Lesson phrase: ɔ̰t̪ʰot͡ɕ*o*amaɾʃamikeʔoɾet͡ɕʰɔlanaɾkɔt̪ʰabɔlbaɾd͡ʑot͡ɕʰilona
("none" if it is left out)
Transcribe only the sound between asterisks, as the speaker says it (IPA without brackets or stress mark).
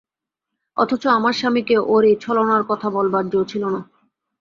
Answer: o